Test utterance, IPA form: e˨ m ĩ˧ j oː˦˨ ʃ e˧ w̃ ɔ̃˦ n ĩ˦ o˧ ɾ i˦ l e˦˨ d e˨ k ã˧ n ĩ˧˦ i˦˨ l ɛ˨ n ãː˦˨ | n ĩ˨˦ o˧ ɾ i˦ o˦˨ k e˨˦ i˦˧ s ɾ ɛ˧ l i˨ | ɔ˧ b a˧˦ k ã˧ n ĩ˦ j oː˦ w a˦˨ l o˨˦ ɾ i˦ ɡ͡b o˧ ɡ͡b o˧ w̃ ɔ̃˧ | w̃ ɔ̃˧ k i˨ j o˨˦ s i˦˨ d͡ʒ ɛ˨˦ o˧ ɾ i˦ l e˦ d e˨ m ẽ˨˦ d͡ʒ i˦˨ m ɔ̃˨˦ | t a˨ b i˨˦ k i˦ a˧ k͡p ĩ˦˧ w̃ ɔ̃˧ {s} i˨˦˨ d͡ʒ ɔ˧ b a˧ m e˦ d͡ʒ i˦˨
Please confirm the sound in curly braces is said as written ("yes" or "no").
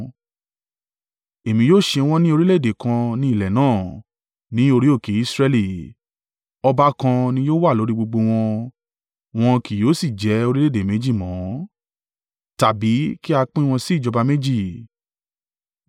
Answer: yes